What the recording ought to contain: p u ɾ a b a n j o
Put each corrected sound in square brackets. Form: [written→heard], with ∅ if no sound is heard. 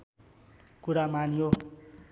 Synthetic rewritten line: [p→k] u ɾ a [b→m] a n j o